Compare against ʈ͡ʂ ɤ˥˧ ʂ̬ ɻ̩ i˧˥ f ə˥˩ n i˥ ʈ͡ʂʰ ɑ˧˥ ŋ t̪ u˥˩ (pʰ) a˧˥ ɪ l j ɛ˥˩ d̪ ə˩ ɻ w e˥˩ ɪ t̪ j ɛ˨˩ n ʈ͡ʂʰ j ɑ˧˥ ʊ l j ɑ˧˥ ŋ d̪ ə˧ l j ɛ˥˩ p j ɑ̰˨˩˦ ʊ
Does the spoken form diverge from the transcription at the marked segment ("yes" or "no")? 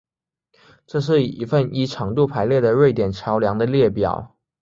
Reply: no